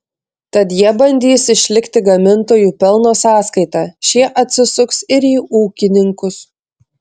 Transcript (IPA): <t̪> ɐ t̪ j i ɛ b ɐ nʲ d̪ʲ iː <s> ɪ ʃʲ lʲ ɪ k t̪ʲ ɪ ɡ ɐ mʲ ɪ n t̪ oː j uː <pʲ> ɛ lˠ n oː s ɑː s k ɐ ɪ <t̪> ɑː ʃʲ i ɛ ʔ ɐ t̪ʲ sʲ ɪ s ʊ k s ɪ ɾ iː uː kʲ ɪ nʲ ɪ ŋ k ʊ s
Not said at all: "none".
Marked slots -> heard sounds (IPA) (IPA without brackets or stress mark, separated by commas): t̪, s, pʲ, t̪